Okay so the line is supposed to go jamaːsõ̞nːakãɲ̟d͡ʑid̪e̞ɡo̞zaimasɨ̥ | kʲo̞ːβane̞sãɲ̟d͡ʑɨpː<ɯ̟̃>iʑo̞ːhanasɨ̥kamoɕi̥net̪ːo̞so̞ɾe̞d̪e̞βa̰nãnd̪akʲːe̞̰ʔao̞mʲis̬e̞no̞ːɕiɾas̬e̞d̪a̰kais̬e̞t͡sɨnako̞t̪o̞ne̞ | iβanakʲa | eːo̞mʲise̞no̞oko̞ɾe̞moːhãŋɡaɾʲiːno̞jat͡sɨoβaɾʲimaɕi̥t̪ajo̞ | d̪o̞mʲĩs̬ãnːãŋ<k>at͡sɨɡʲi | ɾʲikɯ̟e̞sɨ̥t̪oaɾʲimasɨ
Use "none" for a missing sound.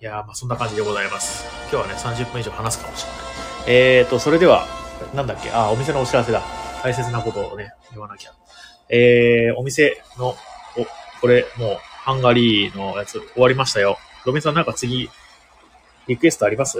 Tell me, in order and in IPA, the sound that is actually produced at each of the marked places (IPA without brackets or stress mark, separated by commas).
ɯ̟̃, k